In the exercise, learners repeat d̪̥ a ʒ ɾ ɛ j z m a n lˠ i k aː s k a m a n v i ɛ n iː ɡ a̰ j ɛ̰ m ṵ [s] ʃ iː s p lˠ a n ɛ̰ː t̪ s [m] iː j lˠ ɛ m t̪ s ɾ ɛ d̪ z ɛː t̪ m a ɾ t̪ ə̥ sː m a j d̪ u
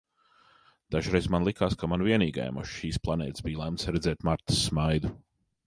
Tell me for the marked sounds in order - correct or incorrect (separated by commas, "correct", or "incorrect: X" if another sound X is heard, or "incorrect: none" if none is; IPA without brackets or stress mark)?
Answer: incorrect: ʃ, incorrect: b